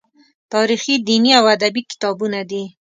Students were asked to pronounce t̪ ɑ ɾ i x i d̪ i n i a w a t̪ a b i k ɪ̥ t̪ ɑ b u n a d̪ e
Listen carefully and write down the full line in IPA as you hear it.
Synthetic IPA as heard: t̪ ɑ ɾ i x i d̪ i n i a w a d̪ a b i k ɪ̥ t̪ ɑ b u n a d̪ i